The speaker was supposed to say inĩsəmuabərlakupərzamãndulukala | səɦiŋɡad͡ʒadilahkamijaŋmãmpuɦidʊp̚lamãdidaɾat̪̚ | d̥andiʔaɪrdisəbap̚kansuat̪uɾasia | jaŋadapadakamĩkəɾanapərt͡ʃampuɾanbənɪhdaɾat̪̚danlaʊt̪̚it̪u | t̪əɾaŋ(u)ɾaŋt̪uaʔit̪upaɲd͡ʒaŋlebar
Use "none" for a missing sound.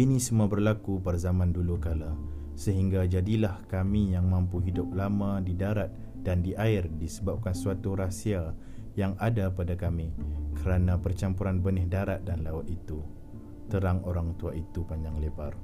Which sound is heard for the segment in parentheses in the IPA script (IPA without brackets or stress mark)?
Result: o